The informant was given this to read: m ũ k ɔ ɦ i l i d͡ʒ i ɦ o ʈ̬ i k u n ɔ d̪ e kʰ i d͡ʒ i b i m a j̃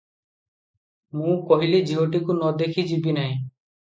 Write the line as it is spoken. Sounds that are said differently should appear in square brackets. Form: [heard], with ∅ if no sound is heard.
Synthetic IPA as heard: m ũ k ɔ ɦ i l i d͡ʒ i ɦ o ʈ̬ i k u n ɔ d̪ e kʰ i d͡ʒ i b i [n] a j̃